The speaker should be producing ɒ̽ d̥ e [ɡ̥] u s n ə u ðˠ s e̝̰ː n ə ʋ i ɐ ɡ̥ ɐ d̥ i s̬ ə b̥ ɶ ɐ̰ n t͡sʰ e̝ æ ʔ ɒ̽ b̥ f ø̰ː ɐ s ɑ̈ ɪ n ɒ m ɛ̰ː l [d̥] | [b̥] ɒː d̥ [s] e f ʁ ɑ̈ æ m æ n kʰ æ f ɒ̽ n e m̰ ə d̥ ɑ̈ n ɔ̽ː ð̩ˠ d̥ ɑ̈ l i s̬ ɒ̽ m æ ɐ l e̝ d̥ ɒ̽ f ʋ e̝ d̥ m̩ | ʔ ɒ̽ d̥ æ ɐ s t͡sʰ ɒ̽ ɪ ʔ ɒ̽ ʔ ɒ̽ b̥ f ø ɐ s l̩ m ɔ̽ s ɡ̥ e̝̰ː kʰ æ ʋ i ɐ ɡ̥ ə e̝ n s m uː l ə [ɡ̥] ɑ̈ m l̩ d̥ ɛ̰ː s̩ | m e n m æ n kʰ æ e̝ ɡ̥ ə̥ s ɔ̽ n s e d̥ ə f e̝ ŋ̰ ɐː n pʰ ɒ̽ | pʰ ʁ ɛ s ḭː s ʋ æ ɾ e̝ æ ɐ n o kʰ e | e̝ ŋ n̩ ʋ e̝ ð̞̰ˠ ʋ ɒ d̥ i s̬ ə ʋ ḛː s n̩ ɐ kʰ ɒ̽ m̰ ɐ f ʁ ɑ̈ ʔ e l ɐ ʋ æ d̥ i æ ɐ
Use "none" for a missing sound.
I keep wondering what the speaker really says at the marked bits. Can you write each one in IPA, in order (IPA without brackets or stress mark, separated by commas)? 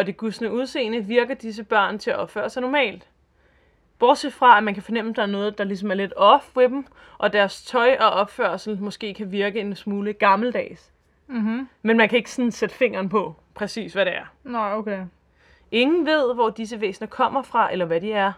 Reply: ɡ̥, d̥, b̥, s, ɡ̥